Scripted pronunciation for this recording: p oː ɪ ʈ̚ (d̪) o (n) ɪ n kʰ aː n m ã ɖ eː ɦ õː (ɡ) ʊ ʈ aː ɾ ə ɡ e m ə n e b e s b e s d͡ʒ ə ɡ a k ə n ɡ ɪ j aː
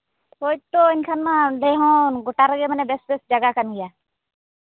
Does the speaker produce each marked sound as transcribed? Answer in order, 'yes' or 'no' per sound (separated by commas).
no, no, yes